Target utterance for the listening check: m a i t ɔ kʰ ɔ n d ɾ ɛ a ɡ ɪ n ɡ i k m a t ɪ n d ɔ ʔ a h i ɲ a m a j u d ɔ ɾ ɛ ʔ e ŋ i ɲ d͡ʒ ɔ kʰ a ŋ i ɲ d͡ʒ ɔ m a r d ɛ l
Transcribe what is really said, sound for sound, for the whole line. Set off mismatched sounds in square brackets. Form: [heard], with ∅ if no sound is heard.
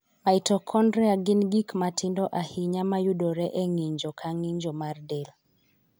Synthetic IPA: m a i t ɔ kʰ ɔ n d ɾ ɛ a ɡ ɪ n ɡ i k m a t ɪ n d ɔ ʔ a h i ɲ a m a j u d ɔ ɾ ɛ ʔ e ŋ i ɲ d͡ʒ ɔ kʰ a ŋ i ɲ d͡ʒ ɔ m a r d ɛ l